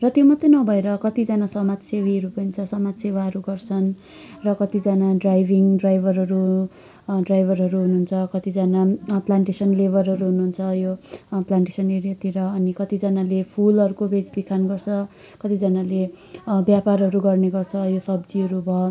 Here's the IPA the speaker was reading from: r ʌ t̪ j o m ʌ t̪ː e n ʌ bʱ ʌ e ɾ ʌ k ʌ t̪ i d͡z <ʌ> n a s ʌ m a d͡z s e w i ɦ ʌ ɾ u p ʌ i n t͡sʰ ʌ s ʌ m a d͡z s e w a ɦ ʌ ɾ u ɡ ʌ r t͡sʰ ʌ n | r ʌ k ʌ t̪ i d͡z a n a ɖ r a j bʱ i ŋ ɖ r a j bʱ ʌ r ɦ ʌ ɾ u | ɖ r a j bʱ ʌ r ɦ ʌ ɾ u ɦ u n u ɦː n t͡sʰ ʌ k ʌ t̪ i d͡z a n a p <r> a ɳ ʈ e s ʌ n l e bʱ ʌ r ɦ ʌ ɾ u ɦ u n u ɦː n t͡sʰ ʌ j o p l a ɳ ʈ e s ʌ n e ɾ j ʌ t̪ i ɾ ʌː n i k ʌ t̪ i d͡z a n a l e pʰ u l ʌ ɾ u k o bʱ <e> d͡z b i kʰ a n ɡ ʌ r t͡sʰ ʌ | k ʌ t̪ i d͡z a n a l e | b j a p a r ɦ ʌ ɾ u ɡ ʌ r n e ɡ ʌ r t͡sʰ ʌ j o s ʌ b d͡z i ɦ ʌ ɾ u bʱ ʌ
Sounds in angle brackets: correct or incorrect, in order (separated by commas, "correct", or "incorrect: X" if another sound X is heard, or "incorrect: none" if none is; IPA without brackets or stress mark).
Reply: incorrect: a, incorrect: l, correct